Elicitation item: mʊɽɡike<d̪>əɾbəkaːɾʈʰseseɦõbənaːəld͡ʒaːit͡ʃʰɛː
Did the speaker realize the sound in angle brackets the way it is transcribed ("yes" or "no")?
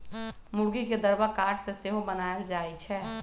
yes